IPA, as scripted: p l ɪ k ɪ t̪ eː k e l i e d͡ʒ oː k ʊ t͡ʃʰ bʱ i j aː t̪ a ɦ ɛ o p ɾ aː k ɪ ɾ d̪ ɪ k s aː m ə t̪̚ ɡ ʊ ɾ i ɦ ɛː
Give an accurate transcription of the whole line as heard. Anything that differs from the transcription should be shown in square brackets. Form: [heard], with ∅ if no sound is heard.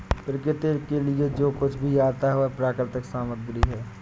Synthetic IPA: p [ɾ] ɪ k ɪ t̪ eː k e l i e d͡ʒ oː k ʊ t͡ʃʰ bʱ i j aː t̪ a ɦ ɛ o p ɾ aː k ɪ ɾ [t̪] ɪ k s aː m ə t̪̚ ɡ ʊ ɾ i ɦ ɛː

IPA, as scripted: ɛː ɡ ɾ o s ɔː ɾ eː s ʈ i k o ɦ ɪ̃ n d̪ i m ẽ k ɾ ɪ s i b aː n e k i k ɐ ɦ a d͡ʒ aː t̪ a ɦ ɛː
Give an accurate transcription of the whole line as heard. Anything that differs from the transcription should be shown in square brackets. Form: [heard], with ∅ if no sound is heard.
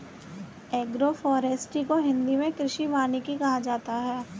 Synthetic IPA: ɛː ɡ ɾ o [f] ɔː ɾ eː s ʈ i k o ɦ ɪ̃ n d̪ i m ẽ k ɾ ɪ [ʃ] i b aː n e k i k ɐ ɦ a d͡ʒ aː t̪ a ɦ ɛː

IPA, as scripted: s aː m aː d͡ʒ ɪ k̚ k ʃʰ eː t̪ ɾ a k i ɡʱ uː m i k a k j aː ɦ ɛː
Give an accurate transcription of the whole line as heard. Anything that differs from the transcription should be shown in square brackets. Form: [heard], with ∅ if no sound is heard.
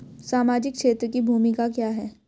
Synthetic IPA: s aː m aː d͡ʒ ɪ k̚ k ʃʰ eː t̪ ɾ [ə] k i [bʱ] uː m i k a k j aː ɦ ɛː

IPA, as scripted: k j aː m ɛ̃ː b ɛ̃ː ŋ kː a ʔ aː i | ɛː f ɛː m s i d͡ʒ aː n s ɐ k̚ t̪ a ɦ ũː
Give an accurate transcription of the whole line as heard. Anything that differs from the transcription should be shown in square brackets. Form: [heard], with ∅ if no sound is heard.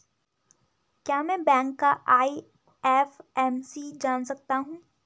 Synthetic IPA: k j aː m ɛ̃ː b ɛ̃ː ŋ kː a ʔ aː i | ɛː f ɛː m s i d͡ʒ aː n s ɐ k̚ t̪ a ɦ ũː

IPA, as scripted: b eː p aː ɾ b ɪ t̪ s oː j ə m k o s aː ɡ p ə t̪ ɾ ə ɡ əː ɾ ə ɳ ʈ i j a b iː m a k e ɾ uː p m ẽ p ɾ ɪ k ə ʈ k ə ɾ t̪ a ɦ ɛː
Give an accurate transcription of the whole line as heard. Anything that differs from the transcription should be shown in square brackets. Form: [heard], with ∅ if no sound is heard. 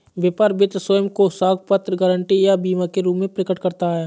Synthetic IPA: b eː p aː ɾ b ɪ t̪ s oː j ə m k o s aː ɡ p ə t̪ ɾ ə ɡ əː ɾ ə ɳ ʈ i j a b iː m a k e ɾ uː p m ẽ p ɾ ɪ k ə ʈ k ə ɾ t̪ a ɦ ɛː

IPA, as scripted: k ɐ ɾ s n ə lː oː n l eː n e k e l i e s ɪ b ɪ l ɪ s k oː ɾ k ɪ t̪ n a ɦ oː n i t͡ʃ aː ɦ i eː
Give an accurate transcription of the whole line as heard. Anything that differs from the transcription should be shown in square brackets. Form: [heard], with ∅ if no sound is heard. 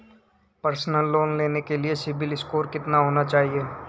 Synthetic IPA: [p] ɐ ɾ s n ə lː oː n l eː n e k e l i e s ɪ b ɪ l ɪ s k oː ɾ k ɪ t̪ n a ɦ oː n [a] t͡ʃ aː ɦ i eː

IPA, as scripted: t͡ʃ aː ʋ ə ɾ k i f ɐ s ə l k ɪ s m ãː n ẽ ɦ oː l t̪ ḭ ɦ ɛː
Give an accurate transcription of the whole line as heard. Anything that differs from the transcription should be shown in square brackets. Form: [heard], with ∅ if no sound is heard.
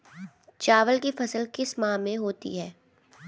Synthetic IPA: t͡ʃ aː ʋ ə [l] k i f ɐ s ə l k ɪ s m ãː [m] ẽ ɦ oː [∅] t̪ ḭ ɦ ɛː

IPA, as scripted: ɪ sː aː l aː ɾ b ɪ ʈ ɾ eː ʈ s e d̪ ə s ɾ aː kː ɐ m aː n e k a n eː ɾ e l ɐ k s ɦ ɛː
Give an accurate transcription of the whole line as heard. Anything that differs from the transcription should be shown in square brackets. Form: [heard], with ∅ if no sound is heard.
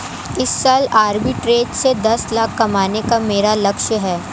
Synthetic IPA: ɪ sː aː l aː ɾ b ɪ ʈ ɾ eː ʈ s e d̪ [ɐ] s [l] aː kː ɐ m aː n e k a [m] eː ɾ [a] l ɐ k [ʃ] ɦ ɛː

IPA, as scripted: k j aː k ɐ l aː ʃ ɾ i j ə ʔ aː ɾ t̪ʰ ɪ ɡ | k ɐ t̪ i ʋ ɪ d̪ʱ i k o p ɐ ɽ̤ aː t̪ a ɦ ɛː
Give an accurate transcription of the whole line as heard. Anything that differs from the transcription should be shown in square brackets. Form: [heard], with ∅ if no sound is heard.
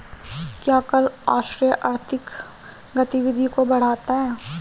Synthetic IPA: k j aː k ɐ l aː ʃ ɾ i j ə ʔ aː ɾ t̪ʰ ɪ [k] | [ɡ] ɐ t̪ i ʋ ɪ d̪ʱ i k o [b] ɐ ɽ̤ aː t̪ a ɦ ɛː

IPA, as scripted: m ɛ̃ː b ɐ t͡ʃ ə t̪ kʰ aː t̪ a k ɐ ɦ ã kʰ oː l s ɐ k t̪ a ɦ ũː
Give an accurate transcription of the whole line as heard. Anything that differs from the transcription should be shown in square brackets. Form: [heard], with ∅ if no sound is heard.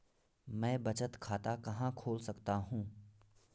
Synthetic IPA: m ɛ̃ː b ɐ t͡ʃ ə t̪ kʰ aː t̪ a k ɐ ɦ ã kʰ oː l s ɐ k t̪ a ɦ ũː

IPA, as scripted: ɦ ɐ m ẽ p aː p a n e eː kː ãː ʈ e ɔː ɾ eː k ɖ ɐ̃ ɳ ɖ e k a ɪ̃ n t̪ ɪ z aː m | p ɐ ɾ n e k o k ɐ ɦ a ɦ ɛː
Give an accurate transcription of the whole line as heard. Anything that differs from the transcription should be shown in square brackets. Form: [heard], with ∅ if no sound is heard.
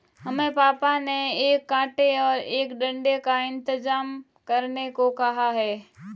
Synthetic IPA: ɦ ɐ m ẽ p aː p a n e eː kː ãː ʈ e ɔː ɾ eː k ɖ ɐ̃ ɳ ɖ e k a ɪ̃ n t̪ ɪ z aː m | [k] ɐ ɾ n e k o k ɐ ɦ a ɦ ɛː

